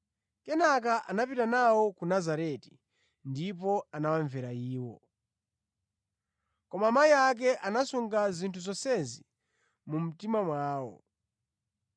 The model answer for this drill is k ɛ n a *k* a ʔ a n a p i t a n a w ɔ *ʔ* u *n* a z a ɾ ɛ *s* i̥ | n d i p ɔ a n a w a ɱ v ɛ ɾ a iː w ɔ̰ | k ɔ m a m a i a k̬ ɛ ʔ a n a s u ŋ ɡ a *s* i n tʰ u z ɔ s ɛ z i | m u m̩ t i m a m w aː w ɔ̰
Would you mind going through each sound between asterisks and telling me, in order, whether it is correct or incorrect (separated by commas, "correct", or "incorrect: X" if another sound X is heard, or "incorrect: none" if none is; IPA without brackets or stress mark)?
correct, incorrect: k, correct, incorrect: t, incorrect: z